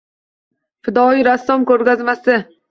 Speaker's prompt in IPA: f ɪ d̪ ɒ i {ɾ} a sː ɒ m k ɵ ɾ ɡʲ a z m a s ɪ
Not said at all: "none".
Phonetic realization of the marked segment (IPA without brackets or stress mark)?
ɾ